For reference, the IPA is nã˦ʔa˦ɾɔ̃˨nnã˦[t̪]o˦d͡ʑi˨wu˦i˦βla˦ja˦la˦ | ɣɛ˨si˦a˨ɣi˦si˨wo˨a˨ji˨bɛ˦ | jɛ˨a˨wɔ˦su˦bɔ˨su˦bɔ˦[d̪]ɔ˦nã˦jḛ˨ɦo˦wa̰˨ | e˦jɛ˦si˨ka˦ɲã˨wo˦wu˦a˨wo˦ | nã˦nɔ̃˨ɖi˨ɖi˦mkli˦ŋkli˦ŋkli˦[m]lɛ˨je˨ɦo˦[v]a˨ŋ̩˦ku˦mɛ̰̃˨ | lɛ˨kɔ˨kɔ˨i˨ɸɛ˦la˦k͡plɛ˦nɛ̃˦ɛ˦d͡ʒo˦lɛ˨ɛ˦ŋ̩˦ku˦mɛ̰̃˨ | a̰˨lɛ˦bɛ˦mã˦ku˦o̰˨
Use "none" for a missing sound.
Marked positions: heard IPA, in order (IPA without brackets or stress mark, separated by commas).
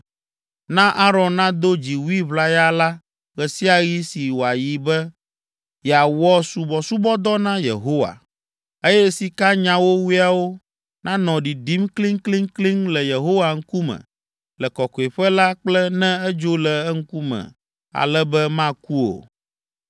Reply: d̪, d̪, ŋ, w